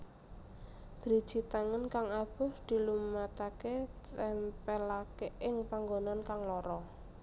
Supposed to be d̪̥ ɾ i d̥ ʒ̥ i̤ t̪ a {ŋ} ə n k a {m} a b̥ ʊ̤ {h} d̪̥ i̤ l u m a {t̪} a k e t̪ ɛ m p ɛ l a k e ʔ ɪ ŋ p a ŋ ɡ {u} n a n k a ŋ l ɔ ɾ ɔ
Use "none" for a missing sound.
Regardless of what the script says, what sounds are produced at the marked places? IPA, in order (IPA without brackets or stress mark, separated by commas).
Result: ŋ, ŋ, h, t̪, o